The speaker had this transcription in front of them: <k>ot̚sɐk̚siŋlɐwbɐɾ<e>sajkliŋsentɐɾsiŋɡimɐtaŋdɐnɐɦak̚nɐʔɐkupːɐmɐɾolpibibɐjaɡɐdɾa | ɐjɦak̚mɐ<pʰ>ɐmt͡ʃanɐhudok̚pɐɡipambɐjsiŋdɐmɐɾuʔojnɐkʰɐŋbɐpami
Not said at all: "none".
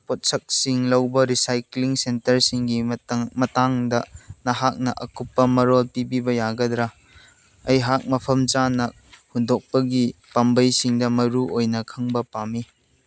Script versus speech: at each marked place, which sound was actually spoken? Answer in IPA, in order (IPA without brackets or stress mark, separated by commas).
p, i, pʰ